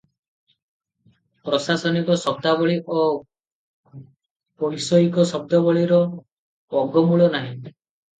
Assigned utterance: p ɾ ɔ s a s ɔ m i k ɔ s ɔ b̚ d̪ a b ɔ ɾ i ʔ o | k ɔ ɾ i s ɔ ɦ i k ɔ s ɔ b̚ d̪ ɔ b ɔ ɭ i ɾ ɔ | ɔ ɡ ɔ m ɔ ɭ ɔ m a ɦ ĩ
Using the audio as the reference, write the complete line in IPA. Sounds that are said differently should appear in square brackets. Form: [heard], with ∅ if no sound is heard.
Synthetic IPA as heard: p ɾ ɔ s a s ɔ [n] i k ɔ s ɔ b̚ d̪ a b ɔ [ɭ] i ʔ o | [p] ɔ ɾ i s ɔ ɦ i k ɔ s ɔ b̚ d̪ ɔ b ɔ ɭ i ɾ ɔ | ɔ ɡ ɔ m [u] ɭ ɔ [n] a ɦ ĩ